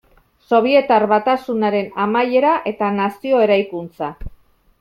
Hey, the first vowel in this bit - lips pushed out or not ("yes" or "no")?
yes